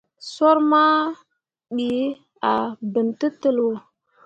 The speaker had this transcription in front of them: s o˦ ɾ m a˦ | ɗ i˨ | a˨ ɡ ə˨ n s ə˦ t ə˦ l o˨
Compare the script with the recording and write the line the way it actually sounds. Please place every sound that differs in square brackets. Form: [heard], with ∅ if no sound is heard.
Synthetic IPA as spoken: s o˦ ɾ m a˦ | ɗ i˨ | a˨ [b] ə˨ n [t] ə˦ t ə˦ l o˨